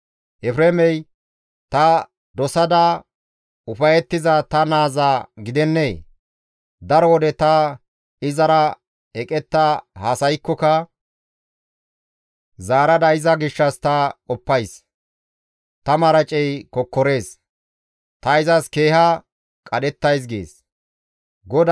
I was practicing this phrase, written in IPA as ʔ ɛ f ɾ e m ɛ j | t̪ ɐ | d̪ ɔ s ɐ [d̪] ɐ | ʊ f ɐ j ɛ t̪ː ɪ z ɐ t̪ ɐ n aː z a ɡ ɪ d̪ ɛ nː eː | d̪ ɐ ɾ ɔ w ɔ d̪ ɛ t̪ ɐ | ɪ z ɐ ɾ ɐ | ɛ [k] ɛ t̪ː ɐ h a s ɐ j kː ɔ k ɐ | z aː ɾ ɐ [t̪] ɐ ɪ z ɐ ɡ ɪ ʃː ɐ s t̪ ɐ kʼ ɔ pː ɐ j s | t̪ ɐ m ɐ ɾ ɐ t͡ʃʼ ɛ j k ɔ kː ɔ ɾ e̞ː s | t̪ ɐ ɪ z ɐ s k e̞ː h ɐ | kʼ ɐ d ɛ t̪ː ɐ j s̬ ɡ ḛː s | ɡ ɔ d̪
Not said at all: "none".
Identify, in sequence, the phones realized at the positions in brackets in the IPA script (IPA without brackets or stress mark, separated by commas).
d̪, kʼ, d̪